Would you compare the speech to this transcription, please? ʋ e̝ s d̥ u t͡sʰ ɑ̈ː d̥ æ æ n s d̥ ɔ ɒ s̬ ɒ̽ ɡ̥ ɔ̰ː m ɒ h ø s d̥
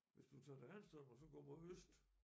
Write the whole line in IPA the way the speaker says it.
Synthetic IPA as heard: ʋ e̝ s d̥ u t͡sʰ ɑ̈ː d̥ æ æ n s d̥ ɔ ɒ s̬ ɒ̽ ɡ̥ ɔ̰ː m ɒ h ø s d̥